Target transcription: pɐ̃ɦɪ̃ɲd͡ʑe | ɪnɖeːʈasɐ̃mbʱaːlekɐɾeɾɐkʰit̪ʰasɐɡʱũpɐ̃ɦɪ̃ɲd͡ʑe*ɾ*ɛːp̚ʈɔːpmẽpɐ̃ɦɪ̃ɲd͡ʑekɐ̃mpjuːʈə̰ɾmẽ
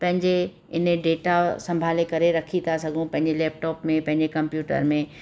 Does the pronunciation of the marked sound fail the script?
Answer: yes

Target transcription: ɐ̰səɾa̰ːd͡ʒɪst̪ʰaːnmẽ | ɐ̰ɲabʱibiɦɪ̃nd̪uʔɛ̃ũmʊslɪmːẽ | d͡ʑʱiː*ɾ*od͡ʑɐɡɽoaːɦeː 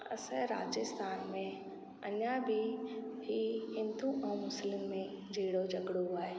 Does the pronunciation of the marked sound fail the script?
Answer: yes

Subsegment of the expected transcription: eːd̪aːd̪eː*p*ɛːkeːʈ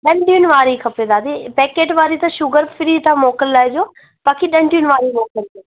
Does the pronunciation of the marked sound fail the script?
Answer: no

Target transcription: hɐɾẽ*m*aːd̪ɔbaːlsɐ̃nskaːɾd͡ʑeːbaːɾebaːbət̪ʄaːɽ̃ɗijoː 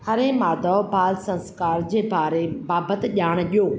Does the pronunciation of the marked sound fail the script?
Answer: no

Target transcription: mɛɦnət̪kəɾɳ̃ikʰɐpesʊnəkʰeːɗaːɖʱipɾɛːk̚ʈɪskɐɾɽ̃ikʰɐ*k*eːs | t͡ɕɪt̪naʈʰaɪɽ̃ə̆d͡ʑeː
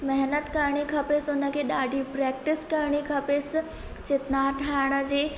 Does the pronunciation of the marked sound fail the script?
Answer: yes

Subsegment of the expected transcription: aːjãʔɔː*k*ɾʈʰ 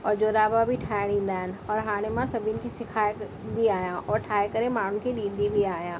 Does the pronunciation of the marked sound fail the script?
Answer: yes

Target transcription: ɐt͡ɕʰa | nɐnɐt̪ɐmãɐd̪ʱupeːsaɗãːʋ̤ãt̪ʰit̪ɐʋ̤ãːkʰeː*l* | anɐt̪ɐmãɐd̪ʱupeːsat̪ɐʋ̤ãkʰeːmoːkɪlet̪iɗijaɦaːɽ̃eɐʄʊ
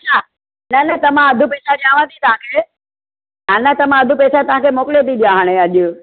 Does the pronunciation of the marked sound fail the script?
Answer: yes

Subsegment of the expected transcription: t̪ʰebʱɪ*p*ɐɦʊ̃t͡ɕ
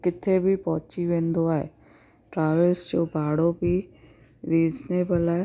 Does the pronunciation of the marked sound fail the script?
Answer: no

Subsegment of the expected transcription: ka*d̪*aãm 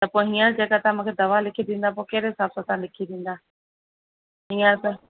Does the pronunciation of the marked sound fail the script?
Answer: yes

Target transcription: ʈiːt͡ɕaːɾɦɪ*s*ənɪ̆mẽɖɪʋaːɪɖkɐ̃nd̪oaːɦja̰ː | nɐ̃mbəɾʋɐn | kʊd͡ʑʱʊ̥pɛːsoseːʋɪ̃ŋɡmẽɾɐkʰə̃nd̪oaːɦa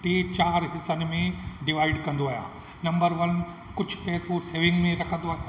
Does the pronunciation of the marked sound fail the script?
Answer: no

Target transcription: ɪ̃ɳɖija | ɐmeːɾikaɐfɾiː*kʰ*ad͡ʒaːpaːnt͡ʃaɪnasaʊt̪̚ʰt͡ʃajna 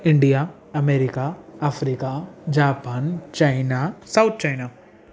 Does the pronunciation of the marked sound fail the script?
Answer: yes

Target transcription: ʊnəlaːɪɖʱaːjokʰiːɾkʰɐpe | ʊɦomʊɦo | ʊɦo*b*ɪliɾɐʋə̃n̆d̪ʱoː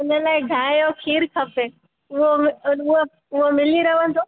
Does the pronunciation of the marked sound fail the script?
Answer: yes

